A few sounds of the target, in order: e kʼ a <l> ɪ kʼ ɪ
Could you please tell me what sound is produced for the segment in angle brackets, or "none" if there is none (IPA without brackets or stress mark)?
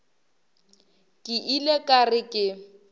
r